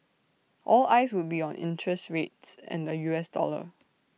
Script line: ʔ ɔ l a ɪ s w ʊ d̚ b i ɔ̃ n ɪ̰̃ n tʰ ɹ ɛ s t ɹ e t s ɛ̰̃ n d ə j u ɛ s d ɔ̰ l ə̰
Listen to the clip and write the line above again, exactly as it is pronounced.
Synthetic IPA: ʔ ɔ l a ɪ s w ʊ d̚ b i ɔ̃ n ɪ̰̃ n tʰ ɹ ɛ s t ɹ e t s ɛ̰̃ n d ə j u ɛ s d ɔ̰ l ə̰